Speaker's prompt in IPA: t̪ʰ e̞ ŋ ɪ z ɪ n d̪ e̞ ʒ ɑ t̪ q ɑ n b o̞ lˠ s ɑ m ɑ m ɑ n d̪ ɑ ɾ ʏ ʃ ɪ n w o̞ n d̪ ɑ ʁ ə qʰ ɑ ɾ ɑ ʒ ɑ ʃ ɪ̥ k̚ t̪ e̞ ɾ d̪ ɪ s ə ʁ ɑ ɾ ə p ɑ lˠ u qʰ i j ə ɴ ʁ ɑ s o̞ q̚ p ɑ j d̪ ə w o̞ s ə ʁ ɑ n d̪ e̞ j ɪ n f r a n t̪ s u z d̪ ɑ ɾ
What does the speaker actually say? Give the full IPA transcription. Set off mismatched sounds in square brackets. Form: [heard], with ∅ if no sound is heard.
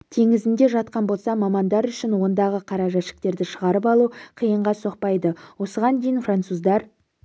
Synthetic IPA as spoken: t̪ʰ e̞ ŋ ɪ z ɪ n d̪ e̞ ʒ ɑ t̪ q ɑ n b o̞ lˠ s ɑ m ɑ m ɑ n d̪ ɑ ɾ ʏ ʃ ɪ n w o̞ n d̪ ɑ ʁ ə qʰ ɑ ɾ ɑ ʒ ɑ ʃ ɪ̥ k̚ t̪ e̞ ɾ d̪ ɪ [ʃ] ə ʁ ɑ ɾ ə p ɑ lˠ u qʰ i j ə ɴ ʁ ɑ s o̞ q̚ p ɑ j d̪ ə w o̞ s ə ʁ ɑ n d̪ e̞ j ɪ n f r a n t̪ s u z d̪ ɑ ɾ

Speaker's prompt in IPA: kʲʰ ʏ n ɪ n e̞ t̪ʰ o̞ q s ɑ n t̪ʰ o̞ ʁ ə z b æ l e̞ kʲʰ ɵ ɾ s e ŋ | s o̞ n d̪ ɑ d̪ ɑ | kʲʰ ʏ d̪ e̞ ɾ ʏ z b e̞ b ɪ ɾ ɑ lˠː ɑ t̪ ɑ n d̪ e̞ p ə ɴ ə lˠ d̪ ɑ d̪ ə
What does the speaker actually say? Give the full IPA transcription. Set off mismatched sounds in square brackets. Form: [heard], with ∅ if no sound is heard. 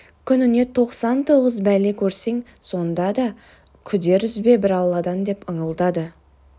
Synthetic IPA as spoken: kʲʰ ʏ n ɪ n e̞ t̪ʰ o̞ q s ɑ n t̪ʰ o̞ ʁ ə z b æ l e̞ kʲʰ ɵ ɾ s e ŋ | s o̞ n d̪ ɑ d̪ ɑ | kʲʰ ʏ d̪ e̞ ɾ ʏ z b e̞ b ɪ ɾ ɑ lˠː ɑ [d̪] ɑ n d̪ e̞ p ə ɴ ə lˠ d̪ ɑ d̪ ə

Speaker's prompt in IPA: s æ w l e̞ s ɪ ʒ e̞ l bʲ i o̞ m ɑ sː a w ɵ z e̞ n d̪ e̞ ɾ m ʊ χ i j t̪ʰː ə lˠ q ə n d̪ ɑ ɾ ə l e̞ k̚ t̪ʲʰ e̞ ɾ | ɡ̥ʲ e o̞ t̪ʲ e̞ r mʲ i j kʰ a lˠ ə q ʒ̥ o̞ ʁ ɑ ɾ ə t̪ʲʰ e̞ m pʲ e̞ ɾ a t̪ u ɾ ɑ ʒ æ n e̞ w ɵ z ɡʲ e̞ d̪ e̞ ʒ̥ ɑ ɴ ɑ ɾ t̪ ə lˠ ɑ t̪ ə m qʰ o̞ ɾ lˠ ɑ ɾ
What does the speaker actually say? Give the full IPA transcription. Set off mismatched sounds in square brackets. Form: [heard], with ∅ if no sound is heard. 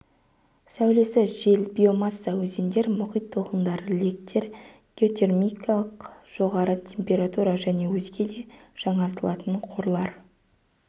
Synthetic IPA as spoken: s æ w l e̞ s ɪ ʒ e̞ l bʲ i o̞ m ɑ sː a w ɵ z e̞ n d̪ e̞ ɾ m ʊ χ i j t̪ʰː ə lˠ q ə n d̪ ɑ ɾ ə l e̞ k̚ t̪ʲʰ e̞ ɾ | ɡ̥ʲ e o̞ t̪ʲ e̞ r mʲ i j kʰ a lˠ ə q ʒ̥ o̞ ʁ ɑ ɾ ə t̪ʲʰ e̞ m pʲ e̞ ɾ a t̪ u ɾ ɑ ʒ æ n e̞ w ɵ z ɡʲ e̞ d̪ e̞ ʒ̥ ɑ ɴ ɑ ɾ t̪ ə lˠ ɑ t̪ ə [ɴ] qʰ o̞ ɾ lˠ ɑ ɾ

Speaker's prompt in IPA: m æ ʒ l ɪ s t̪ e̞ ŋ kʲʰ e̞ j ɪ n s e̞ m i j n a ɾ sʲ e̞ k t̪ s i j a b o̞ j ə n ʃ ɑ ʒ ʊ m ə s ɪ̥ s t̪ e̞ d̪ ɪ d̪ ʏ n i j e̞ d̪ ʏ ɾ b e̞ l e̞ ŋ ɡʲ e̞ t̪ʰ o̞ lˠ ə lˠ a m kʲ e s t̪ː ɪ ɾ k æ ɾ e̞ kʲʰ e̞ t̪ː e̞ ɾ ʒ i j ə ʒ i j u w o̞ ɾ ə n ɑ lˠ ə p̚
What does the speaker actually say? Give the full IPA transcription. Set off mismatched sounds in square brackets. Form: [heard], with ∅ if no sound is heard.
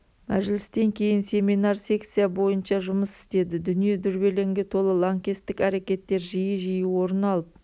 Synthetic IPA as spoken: m æ ʒ l ɪ s t̪ e̞ ŋ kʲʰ e̞ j ɪ n s e̞ m i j n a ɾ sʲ e̞ k t̪ s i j a b o̞ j ə n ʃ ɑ ʒ ʊ m ə s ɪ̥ s t̪ e̞ d̪ ɪ d̪ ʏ n i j e̞ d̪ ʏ ɾ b e̞ l e̞ ŋ ɡʲ e̞ t̪ʰ o̞ lˠ ə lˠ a [ŋ] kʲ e s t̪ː ɪ [∅] k æ ɾ e̞ [kʲ] e̞ t̪ː e̞ ɾ ʒ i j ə ʒ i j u w o̞ ɾ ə n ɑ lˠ ə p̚

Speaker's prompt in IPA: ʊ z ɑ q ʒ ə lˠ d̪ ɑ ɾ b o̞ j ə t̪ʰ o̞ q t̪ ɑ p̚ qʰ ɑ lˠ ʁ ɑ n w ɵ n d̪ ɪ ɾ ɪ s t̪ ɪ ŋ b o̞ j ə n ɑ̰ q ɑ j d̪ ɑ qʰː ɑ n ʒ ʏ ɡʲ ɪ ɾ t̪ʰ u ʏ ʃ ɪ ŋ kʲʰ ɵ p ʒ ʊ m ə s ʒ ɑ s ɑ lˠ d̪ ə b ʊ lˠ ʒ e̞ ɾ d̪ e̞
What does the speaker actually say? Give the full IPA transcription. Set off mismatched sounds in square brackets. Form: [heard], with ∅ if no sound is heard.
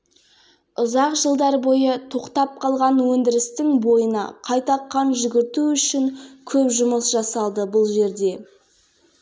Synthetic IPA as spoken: ʊ z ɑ q ʒ ə lˠ d̪ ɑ ɾ b o̞ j ə t̪ʰ o̞ q t̪ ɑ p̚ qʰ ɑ lˠ ʁ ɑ n w ɵ n d̪ ɪ ɾ ɪ s t̪ ɪ ŋ b o̞ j ə n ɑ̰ [qʰ] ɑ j [t̪] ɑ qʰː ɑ n ʒ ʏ ɡʲ ɪ ɾ [t̪] u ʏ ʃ ɪ ŋ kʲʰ ɵ p ʒ ʊ m ə s ʒ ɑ s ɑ lˠ d̪ ə b ʊ lˠ ʒ e̞ ɾ d̪ e̞

